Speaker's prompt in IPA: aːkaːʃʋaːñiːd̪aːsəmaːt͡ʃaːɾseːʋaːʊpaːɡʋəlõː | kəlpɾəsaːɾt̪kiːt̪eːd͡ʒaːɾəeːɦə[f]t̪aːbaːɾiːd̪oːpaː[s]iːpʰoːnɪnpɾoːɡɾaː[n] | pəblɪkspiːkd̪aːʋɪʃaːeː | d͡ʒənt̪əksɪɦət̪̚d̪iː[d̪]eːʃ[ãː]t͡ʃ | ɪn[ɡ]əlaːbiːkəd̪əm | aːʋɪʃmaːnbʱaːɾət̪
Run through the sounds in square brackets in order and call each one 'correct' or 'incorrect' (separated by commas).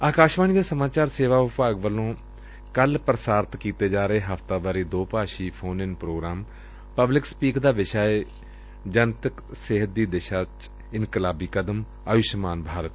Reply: correct, incorrect, incorrect, correct, incorrect, incorrect